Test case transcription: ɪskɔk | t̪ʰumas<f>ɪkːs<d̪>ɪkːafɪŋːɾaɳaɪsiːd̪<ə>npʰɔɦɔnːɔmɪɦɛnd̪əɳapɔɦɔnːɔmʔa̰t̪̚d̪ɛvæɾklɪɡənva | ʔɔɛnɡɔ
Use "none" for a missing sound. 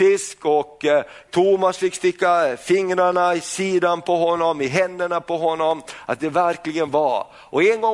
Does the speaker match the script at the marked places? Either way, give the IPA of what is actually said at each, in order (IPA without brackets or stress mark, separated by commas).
f, t̪, a